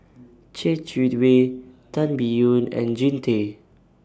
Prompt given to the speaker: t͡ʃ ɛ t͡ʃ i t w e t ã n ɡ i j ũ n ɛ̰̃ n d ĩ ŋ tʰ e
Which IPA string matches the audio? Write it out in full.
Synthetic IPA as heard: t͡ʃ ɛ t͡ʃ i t w e t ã n b i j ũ n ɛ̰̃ n d͡ʒ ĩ n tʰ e